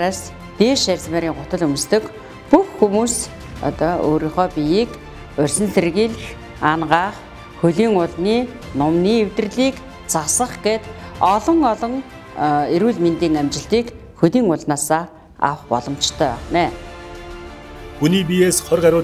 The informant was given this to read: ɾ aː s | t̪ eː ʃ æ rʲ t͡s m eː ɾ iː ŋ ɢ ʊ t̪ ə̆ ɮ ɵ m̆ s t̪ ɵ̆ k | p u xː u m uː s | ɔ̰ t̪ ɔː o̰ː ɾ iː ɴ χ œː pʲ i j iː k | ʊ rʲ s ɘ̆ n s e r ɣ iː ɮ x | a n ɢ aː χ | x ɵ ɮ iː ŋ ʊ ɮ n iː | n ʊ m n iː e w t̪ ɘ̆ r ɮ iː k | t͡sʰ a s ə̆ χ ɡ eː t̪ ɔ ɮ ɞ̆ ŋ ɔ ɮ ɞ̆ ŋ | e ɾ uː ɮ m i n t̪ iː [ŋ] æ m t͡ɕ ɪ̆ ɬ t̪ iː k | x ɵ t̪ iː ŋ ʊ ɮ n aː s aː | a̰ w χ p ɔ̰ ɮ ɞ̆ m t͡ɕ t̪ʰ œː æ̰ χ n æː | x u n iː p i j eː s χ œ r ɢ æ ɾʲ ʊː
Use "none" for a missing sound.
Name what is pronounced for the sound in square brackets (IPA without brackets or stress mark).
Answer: ŋ